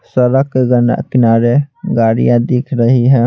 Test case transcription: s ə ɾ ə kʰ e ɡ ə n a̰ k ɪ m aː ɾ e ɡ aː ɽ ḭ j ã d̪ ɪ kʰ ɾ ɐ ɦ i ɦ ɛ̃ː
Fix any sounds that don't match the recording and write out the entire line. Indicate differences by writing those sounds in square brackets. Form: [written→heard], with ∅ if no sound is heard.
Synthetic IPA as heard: s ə ɾ ə [kʰ→k] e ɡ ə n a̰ k ɪ [m→n] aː ɾ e ɡ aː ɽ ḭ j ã d̪ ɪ kʰ ɾ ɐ ɦ i ɦ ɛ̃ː

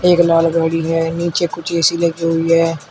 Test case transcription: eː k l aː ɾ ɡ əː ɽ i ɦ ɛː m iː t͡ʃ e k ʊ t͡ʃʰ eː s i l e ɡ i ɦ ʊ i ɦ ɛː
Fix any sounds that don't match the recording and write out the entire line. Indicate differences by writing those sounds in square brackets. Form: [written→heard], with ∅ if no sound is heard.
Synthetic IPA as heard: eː k l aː [ɾ→l] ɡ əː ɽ i ɦ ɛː [m→n] iː t͡ʃ e k ʊ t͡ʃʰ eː s i l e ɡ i ɦ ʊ i ɦ ɛː

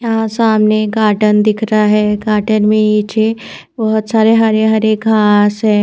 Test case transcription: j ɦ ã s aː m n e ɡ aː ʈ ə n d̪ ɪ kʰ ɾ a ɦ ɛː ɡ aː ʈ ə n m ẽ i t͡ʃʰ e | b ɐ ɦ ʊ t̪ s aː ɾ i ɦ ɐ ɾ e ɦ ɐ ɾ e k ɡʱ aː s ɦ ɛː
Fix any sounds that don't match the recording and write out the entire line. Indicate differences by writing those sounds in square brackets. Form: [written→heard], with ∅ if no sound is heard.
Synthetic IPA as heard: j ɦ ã s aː m n e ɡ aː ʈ ə n d̪ ɪ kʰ ɾ a ɦ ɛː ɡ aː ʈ ə n m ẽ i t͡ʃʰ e | b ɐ ɦ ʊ t̪ s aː ɾ [i→e] ɦ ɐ ɾ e ɦ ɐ ɾ e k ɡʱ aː s ɦ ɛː

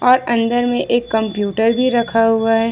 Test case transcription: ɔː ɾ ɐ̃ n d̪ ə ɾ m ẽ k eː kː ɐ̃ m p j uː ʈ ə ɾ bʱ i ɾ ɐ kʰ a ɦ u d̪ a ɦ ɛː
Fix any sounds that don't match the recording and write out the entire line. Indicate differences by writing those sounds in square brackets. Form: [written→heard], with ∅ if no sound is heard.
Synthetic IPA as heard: ɔː ɾ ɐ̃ n d̪ ə ɾ m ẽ [k→ʔ] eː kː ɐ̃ m p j uː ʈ ə ɾ bʱ i ɾ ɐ kʰ a ɦ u [d̪→∅] a ɦ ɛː

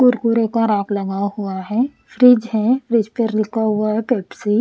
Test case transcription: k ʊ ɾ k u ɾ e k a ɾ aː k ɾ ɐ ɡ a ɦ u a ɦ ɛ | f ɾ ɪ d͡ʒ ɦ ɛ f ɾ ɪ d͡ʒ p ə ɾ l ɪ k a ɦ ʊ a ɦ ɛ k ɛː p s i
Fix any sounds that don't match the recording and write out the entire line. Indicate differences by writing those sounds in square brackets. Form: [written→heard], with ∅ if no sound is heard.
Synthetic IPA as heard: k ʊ ɾ k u ɾ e k a ɾ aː k [ɾ→l] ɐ ɡ a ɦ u a ɦ ɛ | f ɾ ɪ d͡ʒ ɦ ɛ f ɾ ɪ d͡ʒ p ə ɾ l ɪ k a ɦ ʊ a ɦ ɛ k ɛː p s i

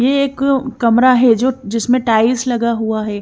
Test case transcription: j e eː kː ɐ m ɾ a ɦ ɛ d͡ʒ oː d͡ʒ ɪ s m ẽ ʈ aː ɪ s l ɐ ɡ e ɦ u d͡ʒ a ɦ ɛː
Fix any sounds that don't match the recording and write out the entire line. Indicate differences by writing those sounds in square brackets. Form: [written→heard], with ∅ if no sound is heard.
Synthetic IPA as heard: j e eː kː ɐ m ɾ a ɦ ɛ d͡ʒ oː d͡ʒ ɪ s m ẽ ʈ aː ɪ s l ɐ ɡ [e→a] ɦ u [d͡ʒ→∅] a ɦ ɛː

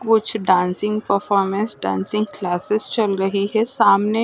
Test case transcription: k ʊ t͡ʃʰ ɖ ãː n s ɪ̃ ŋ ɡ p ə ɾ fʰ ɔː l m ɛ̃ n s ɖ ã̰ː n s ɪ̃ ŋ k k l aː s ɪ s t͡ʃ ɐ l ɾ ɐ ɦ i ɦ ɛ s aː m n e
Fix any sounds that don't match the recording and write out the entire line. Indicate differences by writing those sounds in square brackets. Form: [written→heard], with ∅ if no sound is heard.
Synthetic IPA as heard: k ʊ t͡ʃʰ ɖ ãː n s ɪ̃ ŋ ɡ p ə ɾ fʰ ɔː [l→ɾ] m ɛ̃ n s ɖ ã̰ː n s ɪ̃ ŋ [k→ɡ] k l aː s ɪ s t͡ʃ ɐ l ɾ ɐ ɦ i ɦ ɛ s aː m n e

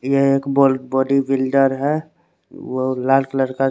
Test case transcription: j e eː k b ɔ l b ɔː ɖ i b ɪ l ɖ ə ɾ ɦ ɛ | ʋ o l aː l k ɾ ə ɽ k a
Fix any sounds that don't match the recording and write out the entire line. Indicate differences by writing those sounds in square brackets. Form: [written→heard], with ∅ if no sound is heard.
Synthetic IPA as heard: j e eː k b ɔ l b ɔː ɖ i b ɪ l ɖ ə ɾ ɦ ɛ | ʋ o l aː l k [ɾ→l] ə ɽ k a

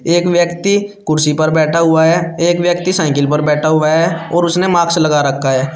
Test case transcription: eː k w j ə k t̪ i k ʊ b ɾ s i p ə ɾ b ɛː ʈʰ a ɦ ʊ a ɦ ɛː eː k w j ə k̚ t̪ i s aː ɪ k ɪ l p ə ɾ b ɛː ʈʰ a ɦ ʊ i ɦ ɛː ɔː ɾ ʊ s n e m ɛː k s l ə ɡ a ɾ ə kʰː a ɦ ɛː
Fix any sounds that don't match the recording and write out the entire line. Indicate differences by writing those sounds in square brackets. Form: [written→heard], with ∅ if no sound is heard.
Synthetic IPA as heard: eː k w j ə k t̪ i k ʊ [b→∅] ɾ s i p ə ɾ b ɛː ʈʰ a ɦ ʊ a ɦ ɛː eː k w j ə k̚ t̪ i s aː ɪ k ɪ l p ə ɾ b ɛː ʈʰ a ɦ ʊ [i→a] ɦ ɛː ɔː ɾ ʊ s n e m [ɛː→aː] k s l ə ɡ a ɾ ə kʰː a ɦ ɛː

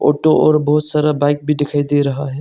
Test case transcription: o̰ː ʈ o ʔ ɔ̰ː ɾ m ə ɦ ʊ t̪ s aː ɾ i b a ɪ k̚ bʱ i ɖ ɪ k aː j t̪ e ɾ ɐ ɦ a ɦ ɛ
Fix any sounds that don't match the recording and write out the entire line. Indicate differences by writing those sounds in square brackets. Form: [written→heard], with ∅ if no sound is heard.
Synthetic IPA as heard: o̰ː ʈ o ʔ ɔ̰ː ɾ [m→b] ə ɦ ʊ t̪ s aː ɾ [i→a] b a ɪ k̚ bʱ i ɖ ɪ [k→kʰ] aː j [t̪→d̪] e ɾ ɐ ɦ a ɦ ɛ

